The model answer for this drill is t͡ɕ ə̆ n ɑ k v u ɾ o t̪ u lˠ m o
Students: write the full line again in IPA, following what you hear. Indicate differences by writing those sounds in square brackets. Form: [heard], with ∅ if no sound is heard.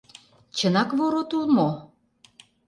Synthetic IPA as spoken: t͡ɕ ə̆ n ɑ k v [o] ɾ o t̪ u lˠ m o